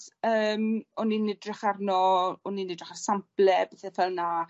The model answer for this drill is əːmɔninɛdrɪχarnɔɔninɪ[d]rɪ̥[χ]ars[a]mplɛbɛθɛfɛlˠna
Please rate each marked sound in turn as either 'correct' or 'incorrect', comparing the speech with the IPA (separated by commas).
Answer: correct, correct, correct